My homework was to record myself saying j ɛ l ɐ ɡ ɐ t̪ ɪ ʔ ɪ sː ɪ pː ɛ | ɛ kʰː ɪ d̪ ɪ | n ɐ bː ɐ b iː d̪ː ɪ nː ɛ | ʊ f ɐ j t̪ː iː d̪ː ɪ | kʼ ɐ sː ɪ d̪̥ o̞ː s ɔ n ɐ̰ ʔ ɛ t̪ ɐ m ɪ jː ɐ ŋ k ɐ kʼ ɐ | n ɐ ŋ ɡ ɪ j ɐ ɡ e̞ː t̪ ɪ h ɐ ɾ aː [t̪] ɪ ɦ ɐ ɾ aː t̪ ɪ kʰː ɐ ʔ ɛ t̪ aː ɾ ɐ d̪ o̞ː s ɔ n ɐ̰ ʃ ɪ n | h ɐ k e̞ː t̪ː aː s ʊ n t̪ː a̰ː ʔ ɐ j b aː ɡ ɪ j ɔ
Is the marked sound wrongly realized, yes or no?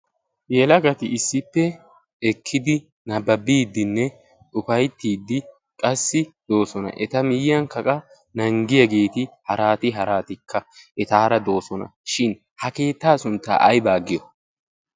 no